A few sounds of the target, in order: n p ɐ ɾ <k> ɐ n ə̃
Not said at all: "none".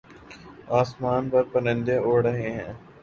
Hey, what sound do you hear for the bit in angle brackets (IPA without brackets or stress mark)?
p